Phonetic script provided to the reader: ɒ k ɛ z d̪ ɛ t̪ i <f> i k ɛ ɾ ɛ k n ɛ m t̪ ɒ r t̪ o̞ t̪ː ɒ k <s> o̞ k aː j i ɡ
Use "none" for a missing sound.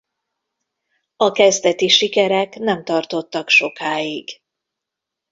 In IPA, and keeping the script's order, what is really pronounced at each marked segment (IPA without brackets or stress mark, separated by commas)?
ʃ, ʃ